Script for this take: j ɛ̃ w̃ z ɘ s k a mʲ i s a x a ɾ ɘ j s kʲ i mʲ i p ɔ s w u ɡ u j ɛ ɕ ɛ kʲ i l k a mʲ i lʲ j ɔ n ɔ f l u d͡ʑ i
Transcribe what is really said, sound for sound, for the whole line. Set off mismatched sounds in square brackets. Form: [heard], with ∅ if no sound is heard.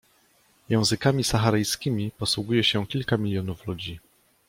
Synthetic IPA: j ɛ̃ w̃ z ɘ [∅] k a mʲ i s a x a ɾ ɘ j s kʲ i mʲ i p ɔ s w u ɡ u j ɛ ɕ ɛ kʲ i l k a mʲ i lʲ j ɔ n [u] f l u d͡ʑ i